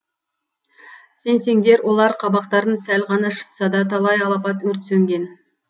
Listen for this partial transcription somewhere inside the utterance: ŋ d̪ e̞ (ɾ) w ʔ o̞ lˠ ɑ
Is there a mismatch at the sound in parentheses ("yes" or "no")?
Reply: no